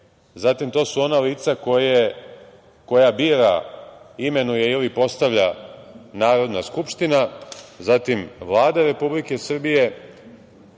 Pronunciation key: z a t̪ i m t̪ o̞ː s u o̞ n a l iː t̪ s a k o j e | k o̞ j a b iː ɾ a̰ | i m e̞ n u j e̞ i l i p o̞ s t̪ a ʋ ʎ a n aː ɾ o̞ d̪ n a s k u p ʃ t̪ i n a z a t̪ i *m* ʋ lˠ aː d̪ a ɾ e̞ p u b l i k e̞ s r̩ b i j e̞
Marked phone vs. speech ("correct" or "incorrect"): correct